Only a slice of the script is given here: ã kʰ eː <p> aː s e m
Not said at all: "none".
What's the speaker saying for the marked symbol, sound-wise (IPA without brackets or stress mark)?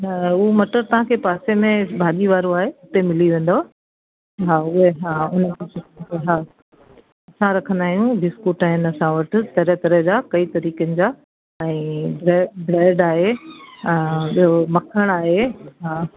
p